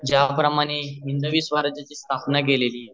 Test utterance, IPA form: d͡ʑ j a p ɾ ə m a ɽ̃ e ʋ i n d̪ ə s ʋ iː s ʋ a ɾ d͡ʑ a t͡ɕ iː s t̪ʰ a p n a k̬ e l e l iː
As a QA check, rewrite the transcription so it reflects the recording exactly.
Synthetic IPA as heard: d͡ʑ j a p ɾ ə m a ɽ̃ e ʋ i n d̪ ə ʋ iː s ʋ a ɾ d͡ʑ a t͡ɕ iː s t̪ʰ a p n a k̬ e l e l iː

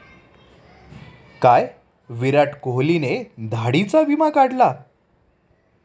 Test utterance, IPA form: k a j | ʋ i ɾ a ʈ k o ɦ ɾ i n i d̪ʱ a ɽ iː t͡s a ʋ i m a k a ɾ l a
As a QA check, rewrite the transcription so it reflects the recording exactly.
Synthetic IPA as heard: k a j | ʋ i ɾ a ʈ k o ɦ l i n e d̪ʱ a ɽ i t͡s a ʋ i m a k a ɽ l a

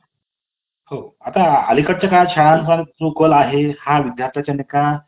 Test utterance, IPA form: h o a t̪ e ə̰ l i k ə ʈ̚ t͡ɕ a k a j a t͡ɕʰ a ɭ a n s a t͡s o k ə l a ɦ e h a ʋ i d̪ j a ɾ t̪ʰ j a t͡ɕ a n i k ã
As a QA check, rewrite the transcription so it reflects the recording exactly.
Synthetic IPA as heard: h o a t̪ a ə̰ l i k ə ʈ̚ t͡ɕ a k a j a t͡ɕʰ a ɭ a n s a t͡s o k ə l a ɦ e h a ʋ i d̪ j a ɾ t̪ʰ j a t͡ɕ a n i k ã

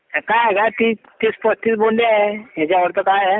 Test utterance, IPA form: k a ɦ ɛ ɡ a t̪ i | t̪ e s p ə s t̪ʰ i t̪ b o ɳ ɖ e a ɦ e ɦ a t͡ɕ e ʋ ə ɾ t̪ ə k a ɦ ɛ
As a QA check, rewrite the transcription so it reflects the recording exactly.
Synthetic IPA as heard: k a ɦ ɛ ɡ a t̪ i | t̪ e s p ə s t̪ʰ i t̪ b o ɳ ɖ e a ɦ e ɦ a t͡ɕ a ʋ ə ɾ t̪ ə k a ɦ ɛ

